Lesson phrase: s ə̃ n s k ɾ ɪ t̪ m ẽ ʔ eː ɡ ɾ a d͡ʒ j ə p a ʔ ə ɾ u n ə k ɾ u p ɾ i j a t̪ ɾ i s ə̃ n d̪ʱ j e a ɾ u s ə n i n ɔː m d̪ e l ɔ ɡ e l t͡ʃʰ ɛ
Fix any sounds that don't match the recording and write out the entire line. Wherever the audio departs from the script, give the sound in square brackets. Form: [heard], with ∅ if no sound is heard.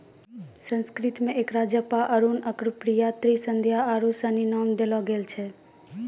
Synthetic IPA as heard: s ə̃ n s k ɾ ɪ t̪ m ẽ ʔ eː [k] ɾ a d͡ʒ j ə p a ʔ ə ɾ u n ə k ɾ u p ɾ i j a t̪ ɾ i s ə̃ n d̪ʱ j [a] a ɾ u s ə n i n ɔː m d̪ e l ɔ ɡ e l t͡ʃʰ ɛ